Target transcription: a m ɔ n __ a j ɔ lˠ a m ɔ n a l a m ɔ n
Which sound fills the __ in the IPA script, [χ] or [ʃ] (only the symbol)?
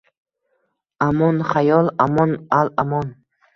χ